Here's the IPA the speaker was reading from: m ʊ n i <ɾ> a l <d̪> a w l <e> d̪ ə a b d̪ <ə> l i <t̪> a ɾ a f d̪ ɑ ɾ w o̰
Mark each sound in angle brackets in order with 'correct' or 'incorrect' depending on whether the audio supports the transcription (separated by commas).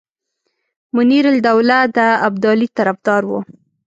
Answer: correct, correct, incorrect, incorrect, correct